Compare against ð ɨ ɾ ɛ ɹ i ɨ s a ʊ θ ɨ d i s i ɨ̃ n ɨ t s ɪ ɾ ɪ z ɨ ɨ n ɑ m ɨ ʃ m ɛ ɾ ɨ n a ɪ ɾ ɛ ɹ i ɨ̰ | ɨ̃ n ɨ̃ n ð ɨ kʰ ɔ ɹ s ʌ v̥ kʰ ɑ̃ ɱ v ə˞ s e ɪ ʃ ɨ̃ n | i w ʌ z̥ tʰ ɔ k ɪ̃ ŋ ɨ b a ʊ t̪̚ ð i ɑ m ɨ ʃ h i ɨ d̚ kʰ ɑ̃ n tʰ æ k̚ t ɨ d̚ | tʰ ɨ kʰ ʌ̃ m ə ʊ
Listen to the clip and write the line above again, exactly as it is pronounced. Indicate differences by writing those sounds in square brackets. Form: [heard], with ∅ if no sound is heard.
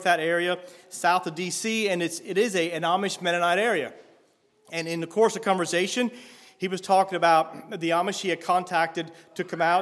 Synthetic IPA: ð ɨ ɾ ɛ ɹ i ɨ s a ʊ θ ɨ d i s i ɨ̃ n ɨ t s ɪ ɾ ɪ z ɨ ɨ n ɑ m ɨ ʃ m ɛ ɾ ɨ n a ɪ ɾ ɛ ɹ i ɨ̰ | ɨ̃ n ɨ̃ n ð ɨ kʰ ɔ ɹ s ʌ v̥ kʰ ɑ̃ ɱ v ə˞ s e ɪ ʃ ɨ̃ n | i w ʌ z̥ tʰ ɔ k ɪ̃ ŋ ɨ b a ʊ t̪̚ ð i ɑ m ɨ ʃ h i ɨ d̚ kʰ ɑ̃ n tʰ æ k̚ t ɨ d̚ | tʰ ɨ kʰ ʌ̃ m [a] ʊ